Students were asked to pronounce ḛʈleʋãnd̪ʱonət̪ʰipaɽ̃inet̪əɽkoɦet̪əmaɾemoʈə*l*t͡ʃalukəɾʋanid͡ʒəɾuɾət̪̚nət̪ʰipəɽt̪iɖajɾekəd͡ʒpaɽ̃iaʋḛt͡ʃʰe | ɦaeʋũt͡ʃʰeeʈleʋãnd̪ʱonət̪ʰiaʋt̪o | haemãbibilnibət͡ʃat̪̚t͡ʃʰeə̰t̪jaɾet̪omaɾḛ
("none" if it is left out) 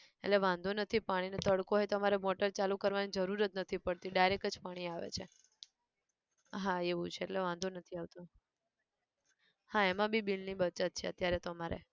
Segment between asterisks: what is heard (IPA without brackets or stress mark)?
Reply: ɾ